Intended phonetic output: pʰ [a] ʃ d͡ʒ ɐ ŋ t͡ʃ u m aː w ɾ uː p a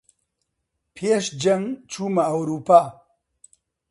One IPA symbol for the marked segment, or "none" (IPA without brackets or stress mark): e